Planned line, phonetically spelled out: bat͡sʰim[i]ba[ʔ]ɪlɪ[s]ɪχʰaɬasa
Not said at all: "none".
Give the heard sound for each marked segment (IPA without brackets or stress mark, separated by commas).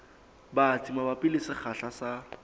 a, p, s